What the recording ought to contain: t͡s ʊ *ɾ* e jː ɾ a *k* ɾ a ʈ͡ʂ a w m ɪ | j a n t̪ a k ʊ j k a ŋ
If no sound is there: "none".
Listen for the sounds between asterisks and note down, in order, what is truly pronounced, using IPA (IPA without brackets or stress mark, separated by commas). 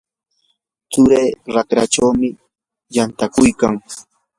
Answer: ɾ, k